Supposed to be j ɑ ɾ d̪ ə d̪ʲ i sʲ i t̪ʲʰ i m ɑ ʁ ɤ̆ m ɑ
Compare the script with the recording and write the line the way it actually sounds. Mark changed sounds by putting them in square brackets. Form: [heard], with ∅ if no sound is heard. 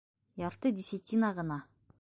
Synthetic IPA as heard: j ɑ ɾ [t̪] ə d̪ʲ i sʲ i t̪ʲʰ i [n] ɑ ʁ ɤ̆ [n] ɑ